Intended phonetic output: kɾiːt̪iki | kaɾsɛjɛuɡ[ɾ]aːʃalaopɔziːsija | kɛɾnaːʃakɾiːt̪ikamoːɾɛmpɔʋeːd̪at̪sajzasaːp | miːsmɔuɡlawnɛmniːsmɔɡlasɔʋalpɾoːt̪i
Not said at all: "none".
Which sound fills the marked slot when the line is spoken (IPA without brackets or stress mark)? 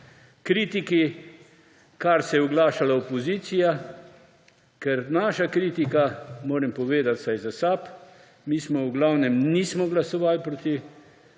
l